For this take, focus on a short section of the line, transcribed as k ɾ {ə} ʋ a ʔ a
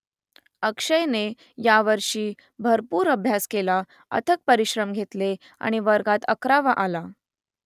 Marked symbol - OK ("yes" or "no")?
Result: no